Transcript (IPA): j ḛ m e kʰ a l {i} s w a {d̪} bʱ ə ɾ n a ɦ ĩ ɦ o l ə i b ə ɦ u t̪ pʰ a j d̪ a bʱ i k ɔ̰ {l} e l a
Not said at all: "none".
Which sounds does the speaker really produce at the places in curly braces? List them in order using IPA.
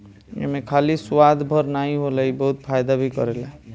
i, d̪, ɾ

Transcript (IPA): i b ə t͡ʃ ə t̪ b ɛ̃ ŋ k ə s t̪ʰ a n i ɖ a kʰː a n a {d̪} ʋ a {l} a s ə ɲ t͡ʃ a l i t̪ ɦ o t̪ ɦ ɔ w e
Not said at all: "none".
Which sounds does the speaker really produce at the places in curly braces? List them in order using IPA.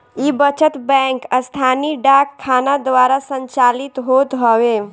d̪, ɾ

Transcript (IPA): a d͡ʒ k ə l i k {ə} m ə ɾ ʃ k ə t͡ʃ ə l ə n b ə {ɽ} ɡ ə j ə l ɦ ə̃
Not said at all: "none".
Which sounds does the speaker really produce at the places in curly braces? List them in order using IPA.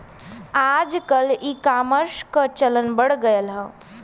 a, ɽ

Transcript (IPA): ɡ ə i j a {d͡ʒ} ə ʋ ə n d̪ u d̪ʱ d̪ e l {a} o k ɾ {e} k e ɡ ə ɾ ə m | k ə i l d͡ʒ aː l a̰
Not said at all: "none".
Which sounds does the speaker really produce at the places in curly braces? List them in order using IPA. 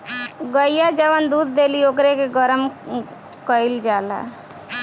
d͡ʒ, i, e

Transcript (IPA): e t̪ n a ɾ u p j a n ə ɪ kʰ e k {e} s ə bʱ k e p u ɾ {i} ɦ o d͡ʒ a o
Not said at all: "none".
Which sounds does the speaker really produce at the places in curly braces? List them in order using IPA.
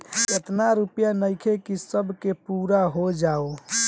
i, a

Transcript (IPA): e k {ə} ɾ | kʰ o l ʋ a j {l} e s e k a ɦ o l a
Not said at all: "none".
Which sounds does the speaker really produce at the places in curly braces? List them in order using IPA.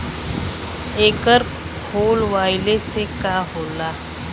ə, l

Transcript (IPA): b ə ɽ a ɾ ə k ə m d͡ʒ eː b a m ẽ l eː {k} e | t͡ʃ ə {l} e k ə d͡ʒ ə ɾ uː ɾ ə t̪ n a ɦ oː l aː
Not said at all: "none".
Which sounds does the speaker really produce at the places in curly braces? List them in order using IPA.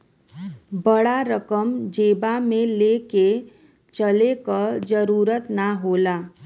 k, l

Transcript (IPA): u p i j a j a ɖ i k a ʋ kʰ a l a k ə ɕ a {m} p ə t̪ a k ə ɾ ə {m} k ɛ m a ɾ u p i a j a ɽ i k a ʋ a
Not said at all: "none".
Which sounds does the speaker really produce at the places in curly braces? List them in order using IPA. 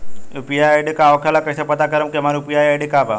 none, m

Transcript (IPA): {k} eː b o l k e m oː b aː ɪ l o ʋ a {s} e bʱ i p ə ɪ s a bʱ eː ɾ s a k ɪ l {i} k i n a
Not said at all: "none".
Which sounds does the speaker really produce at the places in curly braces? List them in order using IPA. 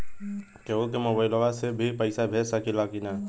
k, s, a

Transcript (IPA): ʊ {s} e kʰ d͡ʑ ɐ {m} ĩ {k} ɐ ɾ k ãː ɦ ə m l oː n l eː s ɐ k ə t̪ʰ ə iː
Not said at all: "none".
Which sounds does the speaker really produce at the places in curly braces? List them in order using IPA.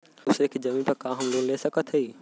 s, m, p

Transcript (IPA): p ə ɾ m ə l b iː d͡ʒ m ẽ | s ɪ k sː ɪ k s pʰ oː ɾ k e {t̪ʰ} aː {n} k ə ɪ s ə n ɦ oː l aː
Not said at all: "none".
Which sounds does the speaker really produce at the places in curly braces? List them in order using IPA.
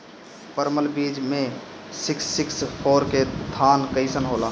t̪ʰ, n

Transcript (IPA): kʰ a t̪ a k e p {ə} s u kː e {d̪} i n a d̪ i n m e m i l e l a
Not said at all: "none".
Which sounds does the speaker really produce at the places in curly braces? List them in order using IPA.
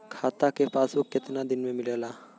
a, t̪

